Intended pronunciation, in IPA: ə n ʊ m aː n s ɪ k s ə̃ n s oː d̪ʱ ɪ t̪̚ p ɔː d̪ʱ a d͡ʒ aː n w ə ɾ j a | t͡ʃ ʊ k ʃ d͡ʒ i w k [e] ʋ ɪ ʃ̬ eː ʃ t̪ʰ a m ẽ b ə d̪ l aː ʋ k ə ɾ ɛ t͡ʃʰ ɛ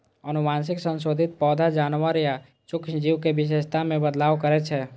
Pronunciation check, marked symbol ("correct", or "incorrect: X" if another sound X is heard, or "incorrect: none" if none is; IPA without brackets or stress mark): correct